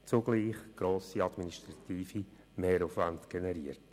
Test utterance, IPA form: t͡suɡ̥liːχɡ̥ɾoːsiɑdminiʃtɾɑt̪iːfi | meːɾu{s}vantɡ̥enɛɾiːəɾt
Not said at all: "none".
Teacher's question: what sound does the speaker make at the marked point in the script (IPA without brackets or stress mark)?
f